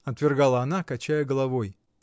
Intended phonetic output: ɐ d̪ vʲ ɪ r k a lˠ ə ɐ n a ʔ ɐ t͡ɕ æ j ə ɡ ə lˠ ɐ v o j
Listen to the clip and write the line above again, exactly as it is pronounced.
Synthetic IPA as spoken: ɐ t̪ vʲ ɪ r ɡ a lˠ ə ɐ n a k ɐ t͡ɕ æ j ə ɡ ə lˠ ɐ v o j